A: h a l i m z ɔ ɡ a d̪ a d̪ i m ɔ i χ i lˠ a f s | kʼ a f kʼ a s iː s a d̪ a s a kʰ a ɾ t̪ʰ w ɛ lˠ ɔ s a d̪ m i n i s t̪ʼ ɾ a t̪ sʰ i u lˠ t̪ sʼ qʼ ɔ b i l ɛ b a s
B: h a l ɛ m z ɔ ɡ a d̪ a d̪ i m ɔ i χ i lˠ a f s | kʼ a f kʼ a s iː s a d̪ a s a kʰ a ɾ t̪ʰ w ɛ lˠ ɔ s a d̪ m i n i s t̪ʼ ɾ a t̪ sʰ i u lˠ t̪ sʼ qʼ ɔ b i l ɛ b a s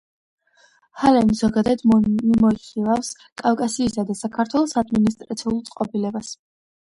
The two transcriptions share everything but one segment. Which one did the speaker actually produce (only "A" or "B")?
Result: B